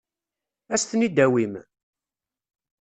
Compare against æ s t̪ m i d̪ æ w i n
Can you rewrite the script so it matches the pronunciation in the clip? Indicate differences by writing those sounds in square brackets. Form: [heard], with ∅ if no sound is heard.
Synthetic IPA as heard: æ s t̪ [n] i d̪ æ w i [m]

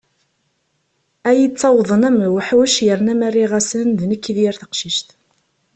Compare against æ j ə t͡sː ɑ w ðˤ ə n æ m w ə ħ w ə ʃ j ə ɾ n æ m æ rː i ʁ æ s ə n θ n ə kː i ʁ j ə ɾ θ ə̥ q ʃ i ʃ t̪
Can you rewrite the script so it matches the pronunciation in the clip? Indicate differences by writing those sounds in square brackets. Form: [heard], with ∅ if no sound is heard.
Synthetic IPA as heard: æ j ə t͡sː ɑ w ðˤ ə n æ m w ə ħ w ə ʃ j ə ɾ n æ m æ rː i ʁ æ s ə n [ð] n ə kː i [ð] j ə ɾ θ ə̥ q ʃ i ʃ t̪

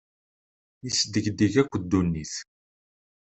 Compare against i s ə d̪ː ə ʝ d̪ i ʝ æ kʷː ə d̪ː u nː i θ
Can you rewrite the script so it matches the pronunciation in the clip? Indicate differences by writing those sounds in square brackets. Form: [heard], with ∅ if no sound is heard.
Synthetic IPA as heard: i s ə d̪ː ə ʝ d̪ i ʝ æ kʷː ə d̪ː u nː i θ

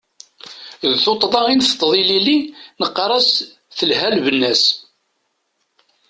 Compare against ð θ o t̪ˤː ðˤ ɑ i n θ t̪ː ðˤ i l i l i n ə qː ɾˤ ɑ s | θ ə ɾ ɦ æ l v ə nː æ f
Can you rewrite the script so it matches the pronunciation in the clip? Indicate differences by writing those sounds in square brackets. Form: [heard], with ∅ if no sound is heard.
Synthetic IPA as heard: ð θ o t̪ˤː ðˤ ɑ i n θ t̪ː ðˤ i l i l i n ə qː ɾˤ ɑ s | θ ə [l] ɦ æ l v ə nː æ [s]

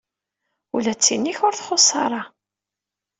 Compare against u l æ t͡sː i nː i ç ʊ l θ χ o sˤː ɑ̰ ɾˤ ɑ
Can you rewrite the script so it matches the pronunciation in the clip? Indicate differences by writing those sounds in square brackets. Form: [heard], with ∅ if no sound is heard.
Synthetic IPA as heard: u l æ t͡sː i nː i ç ʊ [ɾ] θ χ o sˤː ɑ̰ ɾˤ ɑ

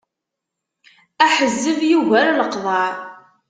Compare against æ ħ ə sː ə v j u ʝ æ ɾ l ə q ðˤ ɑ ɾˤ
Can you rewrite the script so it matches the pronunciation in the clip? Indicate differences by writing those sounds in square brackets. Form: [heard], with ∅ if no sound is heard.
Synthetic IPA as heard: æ ħ ə [zː] ə v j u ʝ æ ɾ l ə q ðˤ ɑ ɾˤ

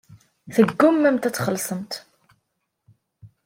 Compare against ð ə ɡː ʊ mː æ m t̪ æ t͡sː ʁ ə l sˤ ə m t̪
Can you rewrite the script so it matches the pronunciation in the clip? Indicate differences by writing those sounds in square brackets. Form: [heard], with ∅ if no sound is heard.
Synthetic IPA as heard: [θ] ə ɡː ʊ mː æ m t̪ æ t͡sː [χ] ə l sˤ ə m t̪

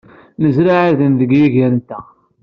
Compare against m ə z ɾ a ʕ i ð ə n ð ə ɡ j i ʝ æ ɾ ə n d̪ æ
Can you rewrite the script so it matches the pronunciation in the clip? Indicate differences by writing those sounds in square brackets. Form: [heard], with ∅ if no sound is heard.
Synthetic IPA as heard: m ə z ɾ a ʕ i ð ə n ð ə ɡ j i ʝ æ ɾ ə n [t̪] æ

